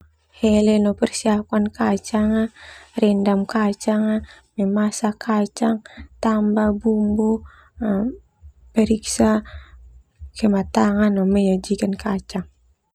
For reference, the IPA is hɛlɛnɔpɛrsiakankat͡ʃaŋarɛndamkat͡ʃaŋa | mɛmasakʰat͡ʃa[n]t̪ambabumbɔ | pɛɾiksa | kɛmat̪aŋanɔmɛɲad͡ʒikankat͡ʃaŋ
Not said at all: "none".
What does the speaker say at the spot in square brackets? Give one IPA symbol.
ŋ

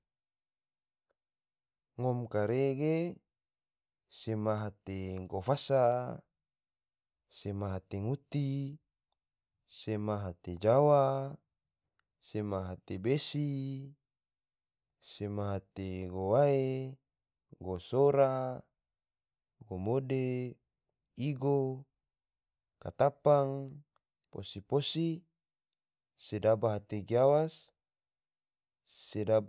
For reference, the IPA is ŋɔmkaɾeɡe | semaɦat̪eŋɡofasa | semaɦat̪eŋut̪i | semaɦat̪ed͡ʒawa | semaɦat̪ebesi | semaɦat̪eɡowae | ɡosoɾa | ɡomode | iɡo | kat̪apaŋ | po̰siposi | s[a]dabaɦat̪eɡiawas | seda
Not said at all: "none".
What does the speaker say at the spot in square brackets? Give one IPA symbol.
e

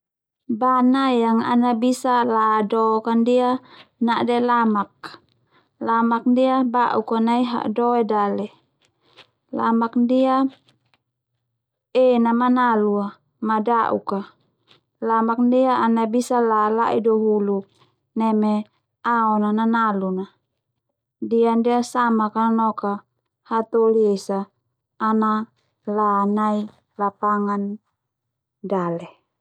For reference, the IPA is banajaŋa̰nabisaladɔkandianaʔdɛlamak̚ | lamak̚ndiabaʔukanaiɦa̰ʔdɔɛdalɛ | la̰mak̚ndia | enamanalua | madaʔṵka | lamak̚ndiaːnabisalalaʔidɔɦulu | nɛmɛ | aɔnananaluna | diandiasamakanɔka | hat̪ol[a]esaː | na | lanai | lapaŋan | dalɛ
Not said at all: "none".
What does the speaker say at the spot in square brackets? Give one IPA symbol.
i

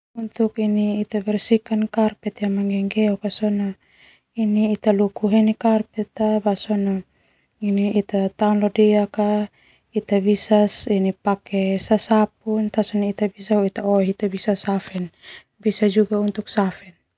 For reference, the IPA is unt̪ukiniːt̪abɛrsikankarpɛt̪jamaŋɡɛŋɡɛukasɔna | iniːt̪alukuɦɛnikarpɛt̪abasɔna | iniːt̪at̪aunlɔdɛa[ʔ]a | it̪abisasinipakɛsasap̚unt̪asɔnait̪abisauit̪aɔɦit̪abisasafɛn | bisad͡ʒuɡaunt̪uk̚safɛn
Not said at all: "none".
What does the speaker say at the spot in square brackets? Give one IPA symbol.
k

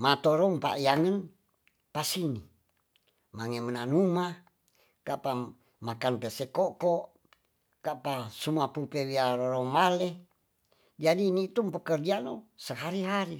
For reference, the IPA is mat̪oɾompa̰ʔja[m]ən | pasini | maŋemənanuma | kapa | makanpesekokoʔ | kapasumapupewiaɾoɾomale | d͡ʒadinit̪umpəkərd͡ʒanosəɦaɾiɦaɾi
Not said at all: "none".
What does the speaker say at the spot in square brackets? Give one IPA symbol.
ŋ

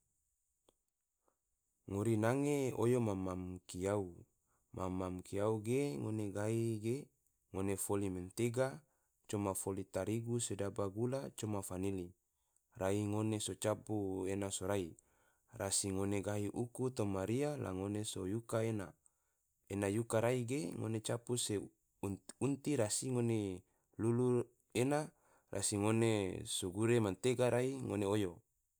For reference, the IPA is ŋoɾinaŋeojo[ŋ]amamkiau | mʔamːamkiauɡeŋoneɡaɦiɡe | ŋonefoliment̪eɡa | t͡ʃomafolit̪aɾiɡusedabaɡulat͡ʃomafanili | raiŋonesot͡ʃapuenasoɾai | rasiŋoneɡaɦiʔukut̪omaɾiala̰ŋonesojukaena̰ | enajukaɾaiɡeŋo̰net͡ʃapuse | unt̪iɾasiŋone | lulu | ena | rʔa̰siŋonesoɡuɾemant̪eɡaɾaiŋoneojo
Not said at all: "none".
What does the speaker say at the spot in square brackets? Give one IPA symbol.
m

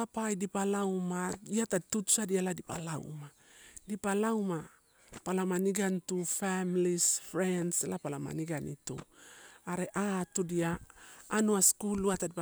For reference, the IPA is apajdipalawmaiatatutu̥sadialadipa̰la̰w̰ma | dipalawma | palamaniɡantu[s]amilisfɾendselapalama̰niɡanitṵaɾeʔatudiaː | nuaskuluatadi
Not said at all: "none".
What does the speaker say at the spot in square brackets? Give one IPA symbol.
f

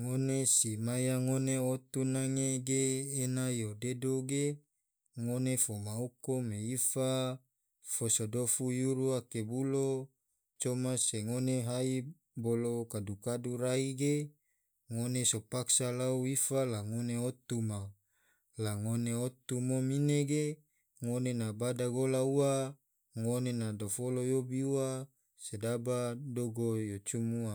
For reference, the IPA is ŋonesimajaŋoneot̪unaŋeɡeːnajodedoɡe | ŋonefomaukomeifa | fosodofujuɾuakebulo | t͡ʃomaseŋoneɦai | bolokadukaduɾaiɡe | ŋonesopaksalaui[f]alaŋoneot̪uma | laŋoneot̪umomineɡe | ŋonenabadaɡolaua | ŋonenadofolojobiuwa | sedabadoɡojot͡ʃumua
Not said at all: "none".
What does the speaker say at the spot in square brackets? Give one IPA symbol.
f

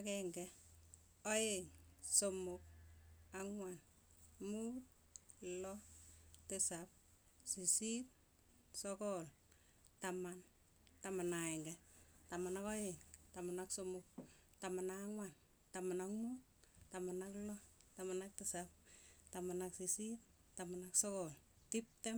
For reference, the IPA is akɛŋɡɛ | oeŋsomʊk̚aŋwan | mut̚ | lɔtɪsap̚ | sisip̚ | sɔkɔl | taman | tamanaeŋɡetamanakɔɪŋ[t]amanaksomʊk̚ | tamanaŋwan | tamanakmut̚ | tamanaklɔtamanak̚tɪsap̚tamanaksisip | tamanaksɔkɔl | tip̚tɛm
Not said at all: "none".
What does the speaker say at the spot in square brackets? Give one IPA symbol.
t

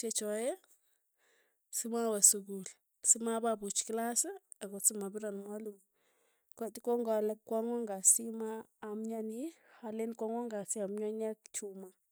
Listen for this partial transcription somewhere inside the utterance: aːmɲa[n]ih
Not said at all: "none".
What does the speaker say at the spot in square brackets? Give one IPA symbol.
n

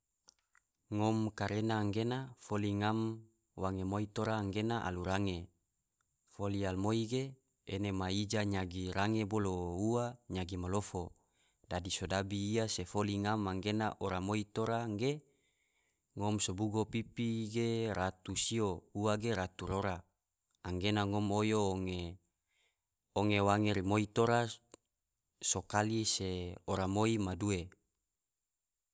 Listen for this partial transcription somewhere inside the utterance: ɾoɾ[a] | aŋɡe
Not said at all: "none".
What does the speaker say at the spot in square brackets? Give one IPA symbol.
a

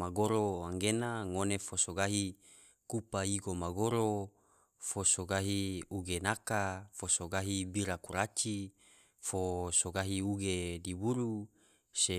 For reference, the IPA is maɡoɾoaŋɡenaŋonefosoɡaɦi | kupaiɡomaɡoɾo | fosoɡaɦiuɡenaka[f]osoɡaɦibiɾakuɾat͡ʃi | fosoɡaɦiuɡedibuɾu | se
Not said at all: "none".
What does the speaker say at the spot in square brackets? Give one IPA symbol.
f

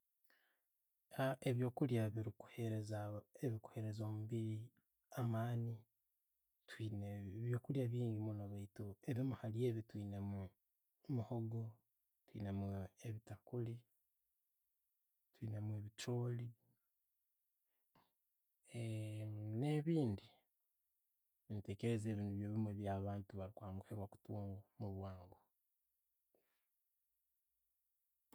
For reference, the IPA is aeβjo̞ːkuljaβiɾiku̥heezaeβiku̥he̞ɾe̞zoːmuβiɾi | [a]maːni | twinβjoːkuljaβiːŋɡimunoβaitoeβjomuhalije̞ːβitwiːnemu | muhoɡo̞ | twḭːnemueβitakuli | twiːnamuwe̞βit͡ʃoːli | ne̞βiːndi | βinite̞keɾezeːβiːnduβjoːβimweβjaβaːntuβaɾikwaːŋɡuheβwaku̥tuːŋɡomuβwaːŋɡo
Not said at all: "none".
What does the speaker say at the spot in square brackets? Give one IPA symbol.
a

